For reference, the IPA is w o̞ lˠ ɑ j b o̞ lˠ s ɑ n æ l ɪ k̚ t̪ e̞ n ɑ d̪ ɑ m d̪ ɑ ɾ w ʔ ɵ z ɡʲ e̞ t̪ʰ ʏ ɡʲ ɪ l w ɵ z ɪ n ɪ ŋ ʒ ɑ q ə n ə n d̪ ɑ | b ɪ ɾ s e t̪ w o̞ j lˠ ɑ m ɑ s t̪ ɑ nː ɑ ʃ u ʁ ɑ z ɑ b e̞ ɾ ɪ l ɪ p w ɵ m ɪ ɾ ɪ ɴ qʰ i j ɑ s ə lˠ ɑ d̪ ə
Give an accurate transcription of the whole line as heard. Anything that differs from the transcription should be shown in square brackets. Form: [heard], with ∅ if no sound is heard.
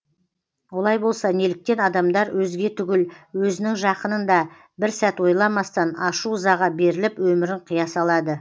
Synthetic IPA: w o̞ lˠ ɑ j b o̞ lˠ s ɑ n [e] l ɪ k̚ t̪ e̞ n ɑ d̪ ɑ m d̪ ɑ ɾ w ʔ ɵ z ɡʲ e̞ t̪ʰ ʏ ɡʲ ɪ l w ɵ z ɪ n ɪ ŋ ʒ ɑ q ə n ə n d̪ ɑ | b ɪ ɾ s [æ] t̪ w o̞ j lˠ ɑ m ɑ s t̪ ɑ [n] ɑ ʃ u [z] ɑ [ʁ] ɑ b e̞ ɾ ɪ l ɪ p w ɵ m ɪ ɾ ɪ ɴ qʰ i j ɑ s [ɑ] lˠ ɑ d̪ ə

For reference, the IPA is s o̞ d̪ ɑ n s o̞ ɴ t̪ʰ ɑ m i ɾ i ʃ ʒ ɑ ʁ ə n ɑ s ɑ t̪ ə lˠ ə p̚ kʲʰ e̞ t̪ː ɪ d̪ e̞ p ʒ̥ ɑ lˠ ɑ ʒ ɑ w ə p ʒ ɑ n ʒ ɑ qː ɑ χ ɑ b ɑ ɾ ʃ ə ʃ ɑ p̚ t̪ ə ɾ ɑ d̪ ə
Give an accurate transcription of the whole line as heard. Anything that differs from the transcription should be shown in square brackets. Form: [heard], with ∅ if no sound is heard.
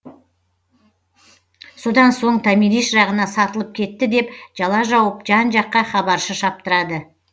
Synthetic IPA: s o̞ d̪ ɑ n s o̞ ɴ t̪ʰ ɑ m i ɾ i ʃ ʒ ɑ ʁ ə n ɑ s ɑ t̪ ə lˠ ə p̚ kʲʰ e̞ t̪ː ɪ d̪ e̞ p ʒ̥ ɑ lˠ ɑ ʒ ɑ w ə p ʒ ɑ n ʒ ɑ qː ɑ χ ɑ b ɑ ɾ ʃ ə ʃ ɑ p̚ t̪ ə ɾ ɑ d̪ ə

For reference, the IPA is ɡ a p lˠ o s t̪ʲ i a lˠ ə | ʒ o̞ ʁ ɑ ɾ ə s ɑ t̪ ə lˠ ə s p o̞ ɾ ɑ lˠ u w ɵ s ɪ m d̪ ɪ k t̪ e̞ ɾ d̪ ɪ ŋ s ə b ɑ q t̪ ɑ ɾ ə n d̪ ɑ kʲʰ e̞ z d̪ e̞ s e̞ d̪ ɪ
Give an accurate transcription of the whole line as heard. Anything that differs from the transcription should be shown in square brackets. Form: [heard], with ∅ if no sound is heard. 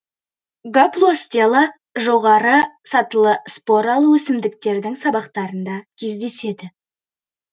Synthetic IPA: ɡ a p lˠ o s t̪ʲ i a lˠ ə | ʒ o̞ ʁ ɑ ɾ ə s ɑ t̪ ə lˠ ə s p o̞ ɾ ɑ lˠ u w ɵ s ɪ m d̪ ɪ k t̪ e̞ ɾ d̪ ɪ ŋ s [ɑ] b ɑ q t̪ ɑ ɾ ə n d̪ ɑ kʲʰ e̞ z d̪ e̞ s e̞ d̪ ɪ

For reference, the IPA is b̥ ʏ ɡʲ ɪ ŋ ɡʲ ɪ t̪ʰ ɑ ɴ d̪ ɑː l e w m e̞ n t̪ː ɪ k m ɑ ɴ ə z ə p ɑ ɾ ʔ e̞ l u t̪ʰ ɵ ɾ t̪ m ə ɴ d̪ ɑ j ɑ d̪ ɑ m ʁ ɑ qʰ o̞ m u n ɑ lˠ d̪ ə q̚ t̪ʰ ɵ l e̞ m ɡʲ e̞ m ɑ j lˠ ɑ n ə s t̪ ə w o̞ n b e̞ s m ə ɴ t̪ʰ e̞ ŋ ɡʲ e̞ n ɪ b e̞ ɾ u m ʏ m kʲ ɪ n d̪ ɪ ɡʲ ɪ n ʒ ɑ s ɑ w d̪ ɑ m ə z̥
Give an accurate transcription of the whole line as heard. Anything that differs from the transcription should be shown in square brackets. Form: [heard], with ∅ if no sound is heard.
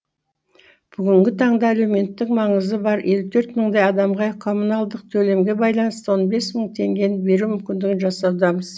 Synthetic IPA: b̥ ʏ ɡʲ ɪ ŋ ɡʲ ɪ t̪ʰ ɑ ɴ d̪ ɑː l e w m e̞ n t̪ː ɪ k m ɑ ɴ ə z ə [b] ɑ ɾ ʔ e̞ l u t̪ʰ ɵ ɾ t̪ m ə ɴ d̪ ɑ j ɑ d̪ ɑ m ʁ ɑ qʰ o̞ m u n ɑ lˠ d̪ ə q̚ t̪ʰ ɵ l e̞ m ɡʲ e̞ [b] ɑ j lˠ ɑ n ə s t̪ ə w o̞ n b e̞ s m ə ɴ t̪ʰ e̞ ŋ ɡʲ e̞ n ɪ b e̞ ɾ u m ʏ m kʲ ɪ n d̪ ɪ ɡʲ ɪ n ʒ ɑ s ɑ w d̪ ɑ m ə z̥

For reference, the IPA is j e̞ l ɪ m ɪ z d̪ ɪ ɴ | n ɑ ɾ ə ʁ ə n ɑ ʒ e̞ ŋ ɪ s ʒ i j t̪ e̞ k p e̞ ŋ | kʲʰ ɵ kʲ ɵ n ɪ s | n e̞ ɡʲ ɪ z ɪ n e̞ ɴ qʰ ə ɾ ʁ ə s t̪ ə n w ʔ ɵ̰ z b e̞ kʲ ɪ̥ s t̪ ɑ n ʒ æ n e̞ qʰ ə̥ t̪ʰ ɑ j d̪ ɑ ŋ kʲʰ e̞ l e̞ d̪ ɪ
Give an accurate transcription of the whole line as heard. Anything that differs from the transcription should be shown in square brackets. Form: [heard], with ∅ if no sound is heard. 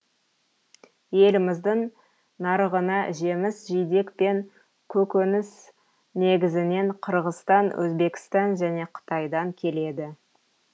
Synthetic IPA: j e̞ l ɪ m ɪ z d̪ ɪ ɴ | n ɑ ɾ ə ʁ ə n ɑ ʒ e̞ [m] ɪ s ʒ i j [d̪] e̞ k p e̞ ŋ | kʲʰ ɵ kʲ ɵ n ɪ s | n e̞ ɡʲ ɪ z ɪ n e̞ ɴ qʰ ə ɾ ʁ ə s t̪ [ɑ] n w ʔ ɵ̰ z b e̞ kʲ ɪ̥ s t̪ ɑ n ʒ æ n e̞ qʰ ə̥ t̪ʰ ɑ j d̪ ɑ ŋ kʲʰ e̞ l e̞ d̪ ɪ

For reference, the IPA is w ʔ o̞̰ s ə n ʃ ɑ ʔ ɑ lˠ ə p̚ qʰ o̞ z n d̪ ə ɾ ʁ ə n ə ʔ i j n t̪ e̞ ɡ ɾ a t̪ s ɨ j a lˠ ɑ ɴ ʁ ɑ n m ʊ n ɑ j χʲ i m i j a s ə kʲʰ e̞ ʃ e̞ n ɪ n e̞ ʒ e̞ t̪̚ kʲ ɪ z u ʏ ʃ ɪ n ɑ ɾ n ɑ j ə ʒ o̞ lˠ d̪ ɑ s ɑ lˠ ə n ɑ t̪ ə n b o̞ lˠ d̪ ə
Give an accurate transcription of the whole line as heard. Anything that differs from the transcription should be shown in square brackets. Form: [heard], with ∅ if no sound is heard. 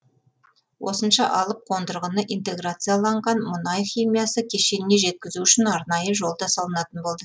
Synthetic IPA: w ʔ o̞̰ s ə n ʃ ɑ ʔ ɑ lˠ ə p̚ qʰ o̞ [∅] n d̪ ə ɾ ʁ ə n ə ʔ i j n t̪ e̞ ɡ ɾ a t̪ s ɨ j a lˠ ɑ ɴ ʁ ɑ n m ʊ n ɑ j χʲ i m i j a s ə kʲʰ e̞ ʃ e̞ n ɪ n e̞ ʒ e̞ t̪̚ kʲ ɪ z u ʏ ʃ ɪ n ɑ ɾ n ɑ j ə ʒ o̞ lˠ d̪ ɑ s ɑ lˠ ə n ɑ t̪ ə n b o̞ lˠ d̪ ə

